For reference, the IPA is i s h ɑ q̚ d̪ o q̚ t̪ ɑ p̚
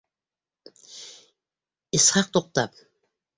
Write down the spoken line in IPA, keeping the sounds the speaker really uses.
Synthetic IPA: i s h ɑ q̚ t̪ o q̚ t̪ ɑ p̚

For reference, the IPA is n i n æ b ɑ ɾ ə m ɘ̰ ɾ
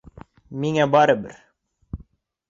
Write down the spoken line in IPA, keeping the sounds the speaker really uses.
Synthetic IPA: m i ŋ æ b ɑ ɾ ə b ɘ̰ ɾ

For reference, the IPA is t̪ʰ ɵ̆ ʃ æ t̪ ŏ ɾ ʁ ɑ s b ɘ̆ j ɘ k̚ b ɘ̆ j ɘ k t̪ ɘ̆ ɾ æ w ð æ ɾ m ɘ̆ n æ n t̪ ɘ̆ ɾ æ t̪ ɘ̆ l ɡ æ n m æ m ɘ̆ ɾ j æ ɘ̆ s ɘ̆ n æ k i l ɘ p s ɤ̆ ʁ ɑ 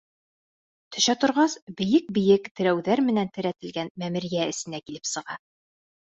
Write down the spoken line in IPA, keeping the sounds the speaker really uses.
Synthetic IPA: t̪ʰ ɵ̆ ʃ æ t̪ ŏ ɾ ʁ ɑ s b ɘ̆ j ɘ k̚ b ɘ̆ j ɘ k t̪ ɘ̆ ɾ æ w ð æ ɾ m ɘ̆ n æ n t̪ ɘ̆ ɾ æ t̪ ɘ̆ l ɡ æ n m æ m ɘ̆ ɾ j æ ɘ̆ s ɘ̆ n æ k i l ɘ p s ɤ̆ ʁ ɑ

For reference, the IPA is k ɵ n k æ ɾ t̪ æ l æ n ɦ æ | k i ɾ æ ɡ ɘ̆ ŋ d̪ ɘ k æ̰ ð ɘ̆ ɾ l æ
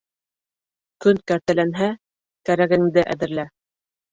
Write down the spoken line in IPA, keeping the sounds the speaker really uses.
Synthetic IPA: k ɵ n k æ ɾ t̪ æ l æ n ɦ æ | k æ ɾ æ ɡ ɘ̆ ŋ d̪ ɘ ʔ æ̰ ð ɘ̆ ɾ l æ

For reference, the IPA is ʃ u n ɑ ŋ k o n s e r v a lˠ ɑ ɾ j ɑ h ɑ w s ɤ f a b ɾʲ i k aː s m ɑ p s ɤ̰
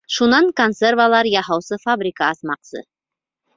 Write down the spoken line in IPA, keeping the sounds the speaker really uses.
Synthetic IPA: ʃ u n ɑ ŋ k o n s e r v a lˠ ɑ ɾ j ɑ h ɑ w s ɤ f a b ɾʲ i k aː s m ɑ q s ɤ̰

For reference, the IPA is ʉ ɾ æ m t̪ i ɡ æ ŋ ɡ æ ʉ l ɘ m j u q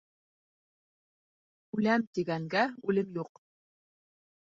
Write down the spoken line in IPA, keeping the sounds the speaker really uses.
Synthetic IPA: ʉ l æ m t̪ i ɡ æ ŋ ɡ æ ʉ l ɘ m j u q

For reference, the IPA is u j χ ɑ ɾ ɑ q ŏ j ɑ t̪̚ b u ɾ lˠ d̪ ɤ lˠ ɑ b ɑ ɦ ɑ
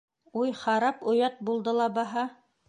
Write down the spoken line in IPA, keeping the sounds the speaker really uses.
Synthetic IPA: u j χ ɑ ɾ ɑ p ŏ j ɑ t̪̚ b u lˠ d̪ ɤ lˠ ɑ b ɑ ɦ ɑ

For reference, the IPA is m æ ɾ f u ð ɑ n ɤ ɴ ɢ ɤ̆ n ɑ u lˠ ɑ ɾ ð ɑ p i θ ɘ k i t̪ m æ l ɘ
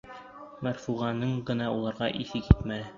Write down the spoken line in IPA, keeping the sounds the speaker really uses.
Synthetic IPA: m æ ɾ f u ʁ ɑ n ɤ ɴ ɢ ɤ̆ n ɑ u lˠ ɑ ɾ ʁ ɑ ʔ i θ ɘ k i t̪ m æ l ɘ

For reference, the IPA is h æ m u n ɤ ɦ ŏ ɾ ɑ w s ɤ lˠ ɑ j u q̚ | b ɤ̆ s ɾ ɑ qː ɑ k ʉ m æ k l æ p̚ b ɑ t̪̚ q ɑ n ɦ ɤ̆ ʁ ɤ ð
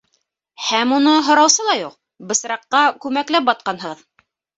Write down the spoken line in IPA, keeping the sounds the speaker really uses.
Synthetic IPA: h æ m u n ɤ ɦ ŏ ɾ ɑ w s ɤ lˠ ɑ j u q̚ | b ɤ̆ s ɾ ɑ qː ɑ k ʉ m æ k l æ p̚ b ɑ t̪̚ q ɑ n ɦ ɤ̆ ʁ ɤ ð

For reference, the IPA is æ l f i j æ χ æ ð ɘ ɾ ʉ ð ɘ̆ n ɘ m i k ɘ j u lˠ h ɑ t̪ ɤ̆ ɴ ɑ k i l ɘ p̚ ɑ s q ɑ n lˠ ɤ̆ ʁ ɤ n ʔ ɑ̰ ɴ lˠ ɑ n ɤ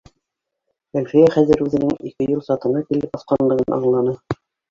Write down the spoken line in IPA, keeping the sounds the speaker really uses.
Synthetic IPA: æ l f i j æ χ æ ð ɘ ɾ ʉ ð ɘ̆ n ɘ ŋ i k ɘ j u lˠ s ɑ t̪ ɤ̆ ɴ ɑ k i l ɘ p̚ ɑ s q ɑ n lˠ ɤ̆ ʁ ɤ n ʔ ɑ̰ ɴ lˠ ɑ n ɤ

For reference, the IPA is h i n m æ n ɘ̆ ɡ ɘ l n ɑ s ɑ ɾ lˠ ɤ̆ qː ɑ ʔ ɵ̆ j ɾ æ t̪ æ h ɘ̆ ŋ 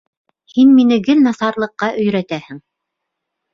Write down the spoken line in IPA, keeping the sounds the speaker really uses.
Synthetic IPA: h i n m i n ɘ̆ ɡ ɘ l n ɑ s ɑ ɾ lˠ ɤ̆ qː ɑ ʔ ɵ̆ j ɾ æ t̪ æ h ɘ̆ ŋ

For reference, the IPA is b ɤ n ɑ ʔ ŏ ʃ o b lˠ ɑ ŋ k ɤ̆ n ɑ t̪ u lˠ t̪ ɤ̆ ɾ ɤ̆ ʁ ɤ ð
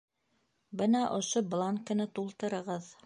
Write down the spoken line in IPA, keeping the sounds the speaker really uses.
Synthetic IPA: b ɤ n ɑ ʔ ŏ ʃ o b lˠ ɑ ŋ k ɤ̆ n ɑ t̪ u lˠ t̪ ɤ̆ ɾ ɤ̆ ʁ ɤ ð

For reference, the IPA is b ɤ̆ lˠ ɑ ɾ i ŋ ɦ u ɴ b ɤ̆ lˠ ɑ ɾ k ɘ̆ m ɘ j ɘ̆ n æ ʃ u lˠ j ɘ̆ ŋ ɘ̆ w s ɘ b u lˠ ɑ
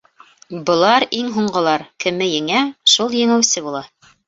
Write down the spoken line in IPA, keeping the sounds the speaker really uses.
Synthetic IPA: b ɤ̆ lˠ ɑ ɾ i ŋ ɦ u ɴ ɢ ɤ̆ lˠ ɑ ɾ k ɘ̆ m ɘ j ɘ̆ ŋ æ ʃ u lˠ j ɘ̆ ŋ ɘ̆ w s ɘ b u lˠ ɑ

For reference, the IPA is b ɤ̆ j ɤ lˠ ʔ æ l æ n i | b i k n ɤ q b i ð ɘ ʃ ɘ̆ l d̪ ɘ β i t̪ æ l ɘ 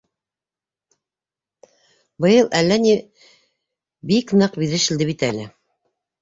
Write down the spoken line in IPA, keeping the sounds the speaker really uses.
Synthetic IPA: b ɤ̆ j ɤ lˠ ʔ æ lː æ n i | b i k n ɤ q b i ð ɘ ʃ ɘ̆ l d̪ ɘ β i t̪ æ l ɘ

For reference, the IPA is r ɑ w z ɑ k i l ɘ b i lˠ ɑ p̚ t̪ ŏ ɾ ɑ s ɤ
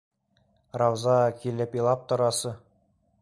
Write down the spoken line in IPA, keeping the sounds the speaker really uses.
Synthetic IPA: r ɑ w z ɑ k i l ɘ p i lˠ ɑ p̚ t̪ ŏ ɾ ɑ s ɤ

